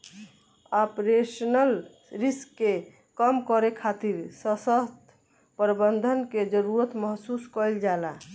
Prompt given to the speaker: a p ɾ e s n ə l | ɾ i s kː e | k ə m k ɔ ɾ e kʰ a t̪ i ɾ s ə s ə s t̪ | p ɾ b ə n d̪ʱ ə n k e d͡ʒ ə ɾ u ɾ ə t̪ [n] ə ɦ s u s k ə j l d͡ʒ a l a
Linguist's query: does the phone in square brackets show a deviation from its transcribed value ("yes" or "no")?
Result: yes